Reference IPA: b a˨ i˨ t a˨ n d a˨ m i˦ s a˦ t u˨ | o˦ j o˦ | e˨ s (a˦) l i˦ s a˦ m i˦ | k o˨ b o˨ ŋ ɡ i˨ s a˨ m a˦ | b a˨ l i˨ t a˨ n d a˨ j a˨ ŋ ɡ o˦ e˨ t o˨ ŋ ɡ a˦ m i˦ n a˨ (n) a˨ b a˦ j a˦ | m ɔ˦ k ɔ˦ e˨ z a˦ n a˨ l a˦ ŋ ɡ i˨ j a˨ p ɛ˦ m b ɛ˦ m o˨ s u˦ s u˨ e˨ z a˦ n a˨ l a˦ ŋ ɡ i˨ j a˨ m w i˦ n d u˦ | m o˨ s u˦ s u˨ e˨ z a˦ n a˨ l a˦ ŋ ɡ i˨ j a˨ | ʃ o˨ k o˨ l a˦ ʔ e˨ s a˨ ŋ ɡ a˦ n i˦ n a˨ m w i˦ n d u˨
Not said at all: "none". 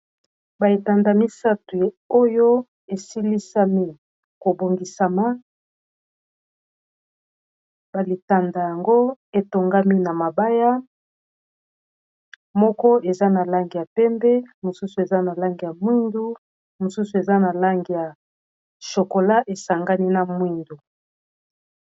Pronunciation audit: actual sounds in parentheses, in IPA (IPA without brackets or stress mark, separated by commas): i˦, m